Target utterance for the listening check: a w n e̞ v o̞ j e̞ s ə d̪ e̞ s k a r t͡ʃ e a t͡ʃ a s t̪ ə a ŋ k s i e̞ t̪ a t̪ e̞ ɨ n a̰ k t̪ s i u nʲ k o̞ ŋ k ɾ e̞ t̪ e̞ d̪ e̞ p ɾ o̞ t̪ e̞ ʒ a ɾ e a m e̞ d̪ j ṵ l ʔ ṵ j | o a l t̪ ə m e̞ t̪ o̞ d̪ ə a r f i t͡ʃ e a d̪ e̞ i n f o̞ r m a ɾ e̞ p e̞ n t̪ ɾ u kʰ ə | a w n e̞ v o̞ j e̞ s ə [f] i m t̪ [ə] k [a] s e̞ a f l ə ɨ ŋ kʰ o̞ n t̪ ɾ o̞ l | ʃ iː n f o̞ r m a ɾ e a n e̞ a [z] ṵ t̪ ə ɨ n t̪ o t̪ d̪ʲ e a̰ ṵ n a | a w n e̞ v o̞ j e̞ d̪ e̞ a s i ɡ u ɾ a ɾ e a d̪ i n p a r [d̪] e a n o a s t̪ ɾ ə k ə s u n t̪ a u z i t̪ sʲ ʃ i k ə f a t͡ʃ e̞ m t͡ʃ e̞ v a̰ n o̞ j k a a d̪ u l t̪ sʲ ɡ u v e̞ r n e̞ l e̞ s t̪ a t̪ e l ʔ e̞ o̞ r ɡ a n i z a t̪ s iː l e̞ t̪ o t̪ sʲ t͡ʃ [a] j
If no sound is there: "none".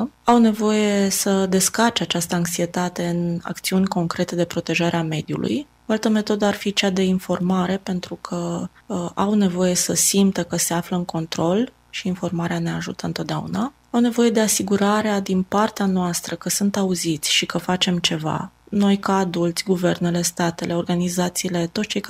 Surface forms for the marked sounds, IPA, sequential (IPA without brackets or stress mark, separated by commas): s, ə, ə, ʒ, t̪, e